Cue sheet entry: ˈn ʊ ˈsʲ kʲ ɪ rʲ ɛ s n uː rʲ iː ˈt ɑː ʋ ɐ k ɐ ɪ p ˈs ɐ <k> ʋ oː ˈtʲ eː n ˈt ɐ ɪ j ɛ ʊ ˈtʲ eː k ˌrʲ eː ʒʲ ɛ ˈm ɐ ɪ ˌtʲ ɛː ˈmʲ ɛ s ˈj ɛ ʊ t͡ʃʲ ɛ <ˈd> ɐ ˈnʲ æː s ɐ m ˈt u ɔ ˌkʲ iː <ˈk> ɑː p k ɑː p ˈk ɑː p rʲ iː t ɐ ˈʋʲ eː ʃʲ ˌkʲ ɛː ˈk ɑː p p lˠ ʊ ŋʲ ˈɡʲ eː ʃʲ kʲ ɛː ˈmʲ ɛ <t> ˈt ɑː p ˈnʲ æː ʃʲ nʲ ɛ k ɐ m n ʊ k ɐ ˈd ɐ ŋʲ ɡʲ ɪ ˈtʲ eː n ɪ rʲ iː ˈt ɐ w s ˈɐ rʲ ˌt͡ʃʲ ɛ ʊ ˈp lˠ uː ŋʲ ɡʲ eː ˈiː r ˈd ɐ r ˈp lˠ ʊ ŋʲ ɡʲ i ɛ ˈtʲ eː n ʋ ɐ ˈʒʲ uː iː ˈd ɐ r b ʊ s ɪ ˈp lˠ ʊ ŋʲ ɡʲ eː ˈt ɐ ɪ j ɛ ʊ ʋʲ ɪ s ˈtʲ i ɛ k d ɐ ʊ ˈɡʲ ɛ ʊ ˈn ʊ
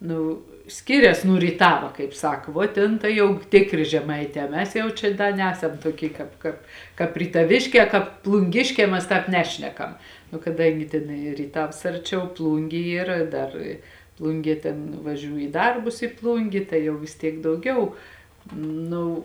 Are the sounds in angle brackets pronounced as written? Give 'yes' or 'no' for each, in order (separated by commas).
yes, yes, yes, no